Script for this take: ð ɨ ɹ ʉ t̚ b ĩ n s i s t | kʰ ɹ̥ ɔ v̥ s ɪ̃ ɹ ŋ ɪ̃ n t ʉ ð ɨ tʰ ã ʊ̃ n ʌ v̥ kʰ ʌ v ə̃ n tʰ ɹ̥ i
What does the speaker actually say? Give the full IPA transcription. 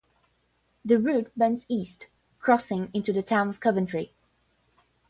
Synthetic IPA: ð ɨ ɹ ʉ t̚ b ɛ̃ n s i s t | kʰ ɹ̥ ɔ s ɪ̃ ŋ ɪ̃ n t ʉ ð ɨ tʰ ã ʊ̃ n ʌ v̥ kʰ ʌ v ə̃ n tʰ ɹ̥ i